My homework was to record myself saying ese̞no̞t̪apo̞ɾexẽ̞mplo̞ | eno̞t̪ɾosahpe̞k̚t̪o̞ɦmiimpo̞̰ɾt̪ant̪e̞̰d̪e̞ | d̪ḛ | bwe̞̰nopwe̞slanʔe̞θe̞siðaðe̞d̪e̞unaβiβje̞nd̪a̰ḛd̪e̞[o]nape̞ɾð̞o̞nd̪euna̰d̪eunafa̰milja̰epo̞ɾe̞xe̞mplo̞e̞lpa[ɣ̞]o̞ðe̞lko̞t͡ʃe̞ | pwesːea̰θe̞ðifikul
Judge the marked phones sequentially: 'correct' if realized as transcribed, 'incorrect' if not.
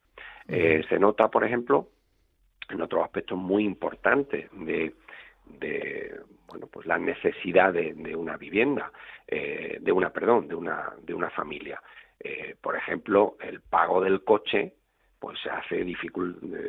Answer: incorrect: u, correct

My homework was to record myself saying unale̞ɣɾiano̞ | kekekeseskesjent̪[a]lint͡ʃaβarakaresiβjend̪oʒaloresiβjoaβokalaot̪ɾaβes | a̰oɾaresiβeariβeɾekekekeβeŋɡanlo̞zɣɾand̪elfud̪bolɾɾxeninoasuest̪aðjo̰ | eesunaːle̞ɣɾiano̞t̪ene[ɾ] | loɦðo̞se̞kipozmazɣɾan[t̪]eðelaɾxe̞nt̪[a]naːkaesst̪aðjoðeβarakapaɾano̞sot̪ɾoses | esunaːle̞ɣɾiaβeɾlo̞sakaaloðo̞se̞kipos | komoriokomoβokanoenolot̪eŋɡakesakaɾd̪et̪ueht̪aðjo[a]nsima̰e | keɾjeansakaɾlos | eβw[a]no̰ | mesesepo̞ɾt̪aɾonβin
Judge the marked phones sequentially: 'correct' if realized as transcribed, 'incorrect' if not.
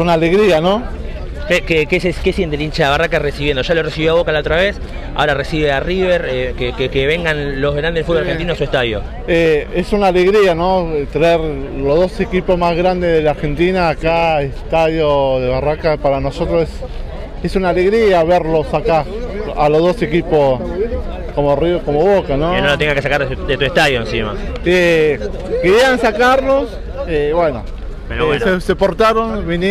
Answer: incorrect: e, correct, incorrect: d̪, incorrect: i, incorrect: e, incorrect: e

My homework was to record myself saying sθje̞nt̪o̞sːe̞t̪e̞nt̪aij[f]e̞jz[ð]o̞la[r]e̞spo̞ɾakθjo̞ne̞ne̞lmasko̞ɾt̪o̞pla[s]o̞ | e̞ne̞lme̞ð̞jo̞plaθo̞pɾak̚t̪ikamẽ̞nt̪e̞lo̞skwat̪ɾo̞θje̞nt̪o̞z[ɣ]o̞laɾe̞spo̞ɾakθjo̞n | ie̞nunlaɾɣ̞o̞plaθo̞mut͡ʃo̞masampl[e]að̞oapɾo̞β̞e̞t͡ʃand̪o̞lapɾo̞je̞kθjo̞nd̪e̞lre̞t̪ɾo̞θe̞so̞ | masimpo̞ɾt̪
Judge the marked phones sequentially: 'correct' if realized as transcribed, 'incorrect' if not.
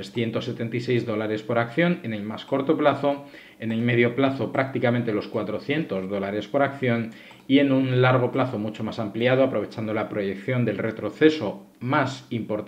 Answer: incorrect: s, correct, incorrect: ɾ, incorrect: θ, incorrect: ð, incorrect: i

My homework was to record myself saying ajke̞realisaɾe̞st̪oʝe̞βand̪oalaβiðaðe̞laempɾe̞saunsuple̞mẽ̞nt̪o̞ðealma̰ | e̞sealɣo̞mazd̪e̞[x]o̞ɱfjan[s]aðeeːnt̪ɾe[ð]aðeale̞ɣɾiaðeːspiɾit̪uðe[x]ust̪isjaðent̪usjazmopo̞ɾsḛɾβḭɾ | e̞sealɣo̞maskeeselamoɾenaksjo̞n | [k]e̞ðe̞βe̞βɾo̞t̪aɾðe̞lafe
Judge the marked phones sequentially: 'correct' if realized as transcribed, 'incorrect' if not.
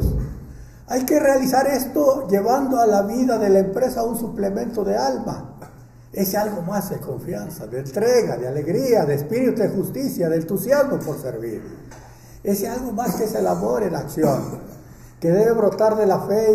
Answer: incorrect: k, correct, incorrect: ɣ, correct, correct

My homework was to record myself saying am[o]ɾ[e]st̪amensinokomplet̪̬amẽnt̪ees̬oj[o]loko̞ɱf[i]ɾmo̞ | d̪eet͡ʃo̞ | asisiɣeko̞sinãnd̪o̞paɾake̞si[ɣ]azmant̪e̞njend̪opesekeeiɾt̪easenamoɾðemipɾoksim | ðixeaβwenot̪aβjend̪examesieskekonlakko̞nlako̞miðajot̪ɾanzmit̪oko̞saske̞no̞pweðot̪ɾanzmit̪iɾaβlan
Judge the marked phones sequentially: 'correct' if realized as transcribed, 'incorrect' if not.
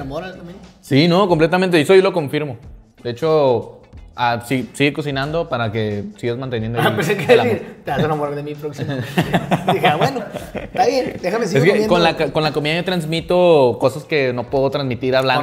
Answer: correct, incorrect: a, correct, correct, correct

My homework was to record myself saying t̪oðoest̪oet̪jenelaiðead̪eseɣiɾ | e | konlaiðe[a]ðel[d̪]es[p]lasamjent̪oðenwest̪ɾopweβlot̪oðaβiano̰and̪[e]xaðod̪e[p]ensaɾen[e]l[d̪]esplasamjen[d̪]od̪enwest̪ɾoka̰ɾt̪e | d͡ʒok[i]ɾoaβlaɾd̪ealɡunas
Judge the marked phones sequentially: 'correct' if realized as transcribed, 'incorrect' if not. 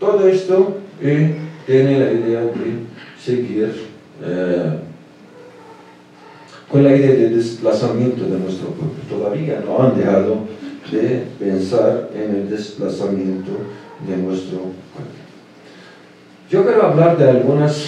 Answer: correct, correct, correct, correct, correct, correct, correct, incorrect: t̪, incorrect: e

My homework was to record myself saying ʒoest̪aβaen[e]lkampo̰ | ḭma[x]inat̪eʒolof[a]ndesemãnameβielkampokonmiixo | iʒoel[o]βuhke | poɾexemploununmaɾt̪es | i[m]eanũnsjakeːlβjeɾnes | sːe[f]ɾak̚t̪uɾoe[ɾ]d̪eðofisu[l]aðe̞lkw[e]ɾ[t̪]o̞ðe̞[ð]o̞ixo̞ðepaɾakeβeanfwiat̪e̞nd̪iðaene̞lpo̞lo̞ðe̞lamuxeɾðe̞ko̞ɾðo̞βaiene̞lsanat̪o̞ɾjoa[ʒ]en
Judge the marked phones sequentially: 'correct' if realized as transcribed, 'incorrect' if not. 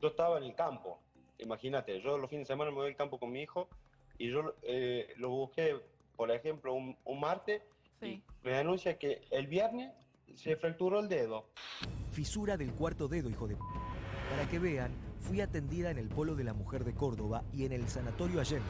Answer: correct, correct, incorrect: i, correct, correct, correct, incorrect: l, incorrect: ɾ, incorrect: a, correct, correct, correct

